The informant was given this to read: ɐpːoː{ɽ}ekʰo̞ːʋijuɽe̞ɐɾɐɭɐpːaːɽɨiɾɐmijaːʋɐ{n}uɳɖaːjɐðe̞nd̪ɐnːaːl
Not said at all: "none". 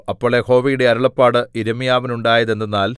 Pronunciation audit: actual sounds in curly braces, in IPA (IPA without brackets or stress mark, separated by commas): ɭ, n